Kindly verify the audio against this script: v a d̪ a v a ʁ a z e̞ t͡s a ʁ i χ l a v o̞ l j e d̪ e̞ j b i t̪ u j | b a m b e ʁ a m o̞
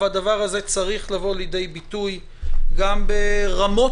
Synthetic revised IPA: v a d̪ a v a ʁ a z e̞ t͡s a ʁ i χ l a v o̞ l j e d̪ e̞ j b i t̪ u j | ɡ a m b e ʁ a m o̞

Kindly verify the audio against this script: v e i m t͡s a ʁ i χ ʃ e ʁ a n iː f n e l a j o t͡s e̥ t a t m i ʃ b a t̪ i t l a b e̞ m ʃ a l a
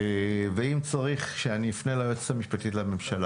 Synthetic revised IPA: v e i m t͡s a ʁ i χ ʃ e a n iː f n e l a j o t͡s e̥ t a m i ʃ p a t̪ i t l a m e̞ m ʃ a l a

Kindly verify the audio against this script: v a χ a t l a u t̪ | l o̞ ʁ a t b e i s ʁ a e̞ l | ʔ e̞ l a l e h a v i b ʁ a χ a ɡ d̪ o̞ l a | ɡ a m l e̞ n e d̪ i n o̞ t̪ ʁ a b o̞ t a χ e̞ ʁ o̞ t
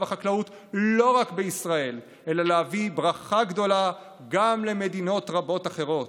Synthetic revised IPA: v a χ a k l a u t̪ | l o̞ ʁ a k b e i s ʁ a e̞ l | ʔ e̞ l a l e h a v i b ʁ a χ a ɡ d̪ o̞ l a | ɡ a m l e̞ m e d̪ i n o̞ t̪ ʁ a b o̞ t a χ e̞ ʁ o̞ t

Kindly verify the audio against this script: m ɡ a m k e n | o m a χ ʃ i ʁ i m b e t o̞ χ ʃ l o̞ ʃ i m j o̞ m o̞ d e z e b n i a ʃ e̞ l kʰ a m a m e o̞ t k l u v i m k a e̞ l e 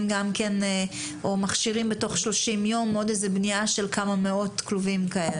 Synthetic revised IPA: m ɡ a m k e n | o m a χ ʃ i ʁ i m b e t o̞ χ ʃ l o̞ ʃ i m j o̞ m o̞ d e z e b n i a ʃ e̞ l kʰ a m a m e o̞ t k l u v i m k a e̞ l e

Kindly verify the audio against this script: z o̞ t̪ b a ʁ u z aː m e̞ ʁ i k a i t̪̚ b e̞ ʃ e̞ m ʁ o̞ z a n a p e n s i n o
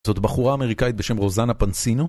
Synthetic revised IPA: z o̞ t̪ b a χ u ʁ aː m e̞ ʁ i k a i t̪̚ b e̞ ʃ e̞ m ʁ o̞ z a n a p a n s i n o

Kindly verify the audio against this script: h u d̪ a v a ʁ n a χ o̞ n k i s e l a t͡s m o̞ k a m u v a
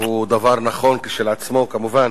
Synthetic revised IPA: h u d̪ a v a ʁ n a χ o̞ n k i ʃ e l a t͡s m o̞ k a m u v a

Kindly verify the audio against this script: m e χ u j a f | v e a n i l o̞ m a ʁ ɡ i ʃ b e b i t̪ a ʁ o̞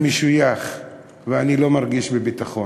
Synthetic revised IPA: m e ʃ u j a χ | v e a n i l o̞ m a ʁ ɡ i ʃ b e b i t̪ a χ o̞

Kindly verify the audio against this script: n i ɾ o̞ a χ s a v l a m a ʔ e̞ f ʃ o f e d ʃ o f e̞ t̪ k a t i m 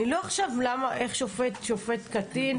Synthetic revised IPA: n i l o̞ a χ ʃ a v l a m a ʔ e̞ χ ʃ o f e t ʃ o f e̞ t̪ k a t i n

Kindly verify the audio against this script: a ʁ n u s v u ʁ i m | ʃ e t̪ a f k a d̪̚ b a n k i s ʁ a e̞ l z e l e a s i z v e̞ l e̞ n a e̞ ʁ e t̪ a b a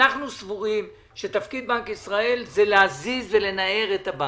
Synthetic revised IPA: a χ n u s v u ʁ i m | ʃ e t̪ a f k i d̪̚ b a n k i s ʁ a e̞ l z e l e a z i z v e̞ l e̞ n a e̞ ʁ e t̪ a b a

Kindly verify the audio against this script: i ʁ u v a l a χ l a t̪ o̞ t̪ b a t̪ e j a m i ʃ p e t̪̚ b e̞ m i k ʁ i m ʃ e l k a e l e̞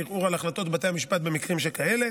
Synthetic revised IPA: i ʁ u ʁ a l a χ l a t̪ o̞ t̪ b a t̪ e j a m i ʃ p a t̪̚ b e̞ m i k ʁ i m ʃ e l k a e l e̞

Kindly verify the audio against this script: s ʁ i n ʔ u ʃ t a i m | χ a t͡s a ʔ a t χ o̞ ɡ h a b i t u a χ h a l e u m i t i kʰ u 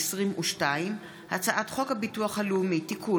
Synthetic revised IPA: s ʁ i m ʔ u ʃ t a i m | h a t͡s a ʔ a t χ o̞ k h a b i t u a χ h a l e u m i t i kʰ u

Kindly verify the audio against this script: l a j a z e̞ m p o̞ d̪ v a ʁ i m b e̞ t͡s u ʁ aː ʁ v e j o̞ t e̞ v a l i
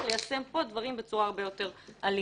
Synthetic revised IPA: l e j a s e̞ m p o̞ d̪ v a ʁ i m b e̞ t͡s u ʁ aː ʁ b e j o̞ t e̞ ʁ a l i

